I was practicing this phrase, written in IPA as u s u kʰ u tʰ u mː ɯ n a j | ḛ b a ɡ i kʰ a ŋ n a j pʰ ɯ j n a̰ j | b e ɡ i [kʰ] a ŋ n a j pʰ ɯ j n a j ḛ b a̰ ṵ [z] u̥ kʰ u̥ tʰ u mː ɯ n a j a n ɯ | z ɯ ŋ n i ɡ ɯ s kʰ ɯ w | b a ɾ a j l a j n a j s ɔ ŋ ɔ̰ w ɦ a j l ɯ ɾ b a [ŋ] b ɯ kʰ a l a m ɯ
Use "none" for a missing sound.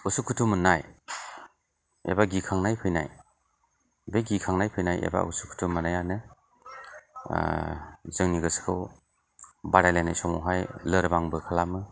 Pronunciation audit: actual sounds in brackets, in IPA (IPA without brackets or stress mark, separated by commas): kʰ, s, ŋ